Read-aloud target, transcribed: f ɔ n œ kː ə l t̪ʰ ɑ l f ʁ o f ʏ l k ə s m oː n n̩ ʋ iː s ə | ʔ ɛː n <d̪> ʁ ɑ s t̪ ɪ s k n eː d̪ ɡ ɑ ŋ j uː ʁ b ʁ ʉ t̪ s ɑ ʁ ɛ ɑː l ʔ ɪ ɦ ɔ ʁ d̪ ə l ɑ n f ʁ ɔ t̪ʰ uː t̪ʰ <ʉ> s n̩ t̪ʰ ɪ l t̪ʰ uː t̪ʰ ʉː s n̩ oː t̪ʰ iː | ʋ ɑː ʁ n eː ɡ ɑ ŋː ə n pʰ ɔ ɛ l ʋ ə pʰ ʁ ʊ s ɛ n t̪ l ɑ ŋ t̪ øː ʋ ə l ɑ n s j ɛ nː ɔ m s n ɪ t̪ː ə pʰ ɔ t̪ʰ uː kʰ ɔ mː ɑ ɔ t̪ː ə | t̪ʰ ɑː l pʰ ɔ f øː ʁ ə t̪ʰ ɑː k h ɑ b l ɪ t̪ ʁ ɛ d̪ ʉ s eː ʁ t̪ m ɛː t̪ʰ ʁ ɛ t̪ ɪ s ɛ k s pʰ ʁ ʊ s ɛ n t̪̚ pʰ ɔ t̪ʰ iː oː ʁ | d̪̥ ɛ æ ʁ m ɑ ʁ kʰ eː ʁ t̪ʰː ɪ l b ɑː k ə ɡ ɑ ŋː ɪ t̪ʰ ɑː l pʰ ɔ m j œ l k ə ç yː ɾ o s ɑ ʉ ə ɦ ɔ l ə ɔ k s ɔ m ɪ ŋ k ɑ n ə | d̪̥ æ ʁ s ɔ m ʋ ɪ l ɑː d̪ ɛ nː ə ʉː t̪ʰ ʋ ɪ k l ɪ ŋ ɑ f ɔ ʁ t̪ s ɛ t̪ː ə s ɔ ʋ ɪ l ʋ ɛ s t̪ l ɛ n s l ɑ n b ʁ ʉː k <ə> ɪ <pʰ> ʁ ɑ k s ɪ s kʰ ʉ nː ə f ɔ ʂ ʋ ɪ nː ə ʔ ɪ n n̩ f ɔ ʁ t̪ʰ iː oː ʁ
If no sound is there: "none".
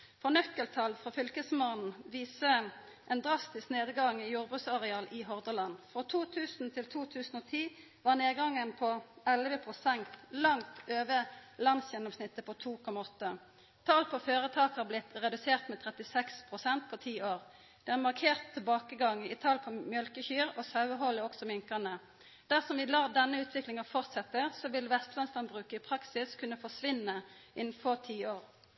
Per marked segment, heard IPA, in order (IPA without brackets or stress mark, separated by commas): d̪, ʉː, ə, pʰ